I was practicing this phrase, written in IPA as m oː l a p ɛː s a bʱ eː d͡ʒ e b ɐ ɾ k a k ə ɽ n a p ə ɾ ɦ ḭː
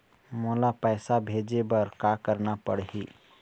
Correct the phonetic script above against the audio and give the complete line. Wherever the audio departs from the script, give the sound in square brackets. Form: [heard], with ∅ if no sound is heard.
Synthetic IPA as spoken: m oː l a p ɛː s a bʱ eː d͡ʒ e b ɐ ɾ k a k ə [ɾ] n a p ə [ɽ] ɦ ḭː